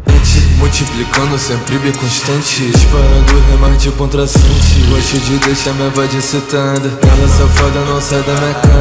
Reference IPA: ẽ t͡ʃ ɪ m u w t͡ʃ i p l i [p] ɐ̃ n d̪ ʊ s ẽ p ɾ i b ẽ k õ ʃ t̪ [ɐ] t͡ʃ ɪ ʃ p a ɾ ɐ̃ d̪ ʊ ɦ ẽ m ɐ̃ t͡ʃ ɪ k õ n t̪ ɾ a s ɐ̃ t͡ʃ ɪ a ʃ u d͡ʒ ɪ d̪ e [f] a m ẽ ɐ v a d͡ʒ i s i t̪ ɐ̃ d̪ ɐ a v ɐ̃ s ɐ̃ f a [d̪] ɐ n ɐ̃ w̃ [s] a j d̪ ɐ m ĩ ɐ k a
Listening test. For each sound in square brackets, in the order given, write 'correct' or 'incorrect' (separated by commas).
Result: incorrect, incorrect, incorrect, correct, correct